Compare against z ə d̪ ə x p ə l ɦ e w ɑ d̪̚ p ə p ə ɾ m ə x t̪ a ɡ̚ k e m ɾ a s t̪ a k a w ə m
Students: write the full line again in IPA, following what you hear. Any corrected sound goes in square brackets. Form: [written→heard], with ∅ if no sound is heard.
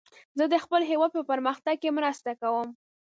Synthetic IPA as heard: z ə d̪ ə x p ə l ɦ e w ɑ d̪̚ p ə p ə ɾ m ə x t̪ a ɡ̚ k e m ɾ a s t̪ a k a w ə m

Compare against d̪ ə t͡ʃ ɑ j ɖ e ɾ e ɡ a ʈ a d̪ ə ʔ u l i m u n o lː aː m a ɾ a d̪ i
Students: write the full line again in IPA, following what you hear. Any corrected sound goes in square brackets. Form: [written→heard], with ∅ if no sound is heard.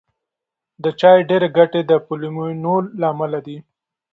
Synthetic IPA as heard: d̪ ə t͡ʃ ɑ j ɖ e ɾ e ɡ a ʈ [a→e] d̪ ə [ʔ→p] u l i m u n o lː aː m a [ɾ→l] a d̪ i

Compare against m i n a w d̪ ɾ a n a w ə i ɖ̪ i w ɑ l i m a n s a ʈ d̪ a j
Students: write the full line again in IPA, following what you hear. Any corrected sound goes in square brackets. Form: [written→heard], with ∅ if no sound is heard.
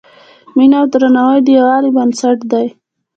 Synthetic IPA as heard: m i n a w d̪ ɾ a n a w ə [i→j] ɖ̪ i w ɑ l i [m→b] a n s a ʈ d̪ a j

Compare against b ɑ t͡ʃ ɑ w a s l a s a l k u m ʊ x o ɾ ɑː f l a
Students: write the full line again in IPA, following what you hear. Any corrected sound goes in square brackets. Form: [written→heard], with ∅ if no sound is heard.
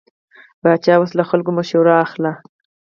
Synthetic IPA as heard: b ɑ t͡ʃ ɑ w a s l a [s→x] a l k [u→o] m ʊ [x→ʃ] o ɾ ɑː [f→x] l a

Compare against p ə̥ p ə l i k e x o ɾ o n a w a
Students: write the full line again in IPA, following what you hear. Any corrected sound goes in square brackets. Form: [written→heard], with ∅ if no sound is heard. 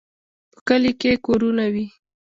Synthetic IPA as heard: p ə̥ [p→k] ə l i k e [x→k] o ɾ [o→u] n a w [a→i]

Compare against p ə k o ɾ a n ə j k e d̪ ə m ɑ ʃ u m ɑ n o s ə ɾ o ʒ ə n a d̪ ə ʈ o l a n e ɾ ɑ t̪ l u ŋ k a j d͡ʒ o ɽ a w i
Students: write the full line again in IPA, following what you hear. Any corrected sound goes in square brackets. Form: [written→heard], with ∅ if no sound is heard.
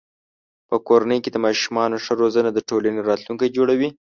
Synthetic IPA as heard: p ə k o ɾ a n ə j k e d̪ ə m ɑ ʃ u m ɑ n o [s→ʂ] ə ɾ o [ʒ→z] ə n a d̪ ə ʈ o l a n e ɾ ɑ t̪ l u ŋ k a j d͡ʒ o ɽ a w i

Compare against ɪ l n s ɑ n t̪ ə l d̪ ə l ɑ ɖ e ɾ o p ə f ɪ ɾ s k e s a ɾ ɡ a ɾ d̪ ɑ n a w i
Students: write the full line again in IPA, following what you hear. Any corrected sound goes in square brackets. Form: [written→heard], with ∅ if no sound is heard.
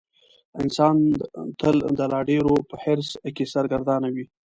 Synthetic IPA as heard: ɪ [l→∅] n s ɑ n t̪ ə l d̪ ə l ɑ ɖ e ɾ o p ə [f→h] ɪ ɾ s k e s a ɾ ɡ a ɾ d̪ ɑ n a w i

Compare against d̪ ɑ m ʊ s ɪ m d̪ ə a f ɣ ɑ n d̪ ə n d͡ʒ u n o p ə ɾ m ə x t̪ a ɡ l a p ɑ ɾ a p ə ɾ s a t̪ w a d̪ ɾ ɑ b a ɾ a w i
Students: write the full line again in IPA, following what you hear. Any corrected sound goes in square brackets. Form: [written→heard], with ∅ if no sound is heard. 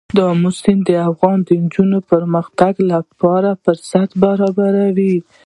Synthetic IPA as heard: d̪ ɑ m ʊ s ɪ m d̪ ə a f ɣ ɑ n d̪ ə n d͡ʒ u n o p ə ɾ m ə x t̪ a ɡ l a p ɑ ɾ a p ə ɾ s a t̪ [w→b] a [d̪→∅] ɾ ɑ b a ɾ a w i

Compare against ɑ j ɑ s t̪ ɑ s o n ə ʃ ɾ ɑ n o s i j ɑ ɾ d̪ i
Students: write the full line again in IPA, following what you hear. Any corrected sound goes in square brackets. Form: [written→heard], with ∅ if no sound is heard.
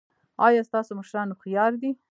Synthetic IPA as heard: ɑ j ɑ s t̪ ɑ s o [n→m] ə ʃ ɾ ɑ n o [s→x] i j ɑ ɾ d̪ i

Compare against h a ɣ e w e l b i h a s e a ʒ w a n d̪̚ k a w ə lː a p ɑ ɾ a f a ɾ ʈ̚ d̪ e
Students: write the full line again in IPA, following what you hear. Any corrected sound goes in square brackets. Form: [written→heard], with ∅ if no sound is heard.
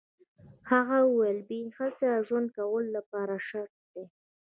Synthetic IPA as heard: h a ɣ [e→a] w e l b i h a s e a ʒ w a n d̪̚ k a w ə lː a p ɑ ɾ a [f→ʃ] a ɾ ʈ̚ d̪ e

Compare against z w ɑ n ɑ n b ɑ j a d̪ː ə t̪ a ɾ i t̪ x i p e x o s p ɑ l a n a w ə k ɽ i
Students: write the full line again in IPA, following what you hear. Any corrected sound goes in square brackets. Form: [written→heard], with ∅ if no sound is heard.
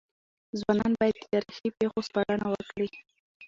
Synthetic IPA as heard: z w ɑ n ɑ n b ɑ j a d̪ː ə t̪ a ɾ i [t̪→∅] x i p e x o s p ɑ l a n a w ə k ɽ i

